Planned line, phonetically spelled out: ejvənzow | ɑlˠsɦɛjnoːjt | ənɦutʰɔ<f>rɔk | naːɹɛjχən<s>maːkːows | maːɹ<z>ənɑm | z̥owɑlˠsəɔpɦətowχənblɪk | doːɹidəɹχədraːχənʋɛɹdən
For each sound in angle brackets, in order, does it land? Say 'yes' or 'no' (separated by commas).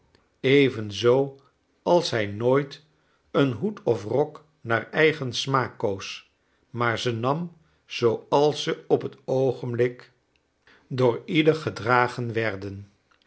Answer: yes, yes, yes